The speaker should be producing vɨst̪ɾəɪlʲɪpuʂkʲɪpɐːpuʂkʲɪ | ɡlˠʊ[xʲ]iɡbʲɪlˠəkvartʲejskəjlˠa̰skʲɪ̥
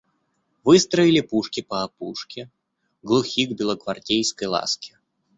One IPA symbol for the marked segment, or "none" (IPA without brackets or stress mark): xʲ